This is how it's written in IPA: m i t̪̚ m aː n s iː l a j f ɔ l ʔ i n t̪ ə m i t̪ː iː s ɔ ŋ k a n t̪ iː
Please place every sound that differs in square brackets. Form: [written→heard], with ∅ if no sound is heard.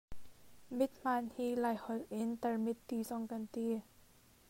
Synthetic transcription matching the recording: m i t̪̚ m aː n [s→h] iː l a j [f→h] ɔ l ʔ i n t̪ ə m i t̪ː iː s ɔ ŋ k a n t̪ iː

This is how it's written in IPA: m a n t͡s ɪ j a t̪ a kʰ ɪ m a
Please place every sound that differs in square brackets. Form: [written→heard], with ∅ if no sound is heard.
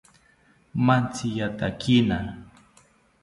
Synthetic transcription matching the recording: m a n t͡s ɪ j a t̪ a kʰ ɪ [m→n] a

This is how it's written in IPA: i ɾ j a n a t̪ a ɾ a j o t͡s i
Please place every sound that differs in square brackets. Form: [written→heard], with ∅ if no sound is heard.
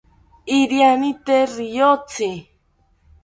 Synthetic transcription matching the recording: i ɾ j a n [a→i] t̪ [a→e] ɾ [a→i] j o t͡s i

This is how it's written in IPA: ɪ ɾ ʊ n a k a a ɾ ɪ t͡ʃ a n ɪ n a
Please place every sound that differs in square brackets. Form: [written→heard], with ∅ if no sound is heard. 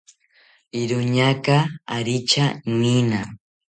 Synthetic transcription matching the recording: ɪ ɾ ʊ [n→ɲ] a k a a ɾ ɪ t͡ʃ a n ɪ n a

